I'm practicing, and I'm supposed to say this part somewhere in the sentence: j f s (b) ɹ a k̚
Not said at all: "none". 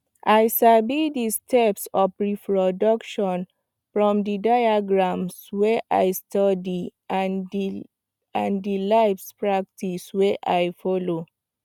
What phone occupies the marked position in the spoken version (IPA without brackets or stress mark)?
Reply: p